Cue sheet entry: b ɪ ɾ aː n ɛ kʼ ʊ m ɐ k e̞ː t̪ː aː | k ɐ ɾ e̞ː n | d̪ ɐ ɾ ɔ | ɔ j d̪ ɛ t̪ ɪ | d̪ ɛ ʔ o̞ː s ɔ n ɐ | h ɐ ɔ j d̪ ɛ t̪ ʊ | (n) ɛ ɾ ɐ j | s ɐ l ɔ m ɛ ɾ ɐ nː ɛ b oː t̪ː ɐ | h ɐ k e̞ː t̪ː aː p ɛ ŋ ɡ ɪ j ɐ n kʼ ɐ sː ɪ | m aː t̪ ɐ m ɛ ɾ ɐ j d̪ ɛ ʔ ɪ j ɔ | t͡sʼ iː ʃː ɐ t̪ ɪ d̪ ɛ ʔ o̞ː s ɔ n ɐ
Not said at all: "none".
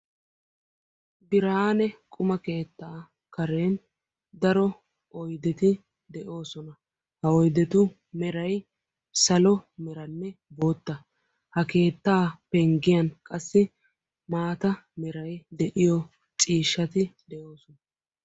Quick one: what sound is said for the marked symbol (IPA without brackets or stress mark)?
m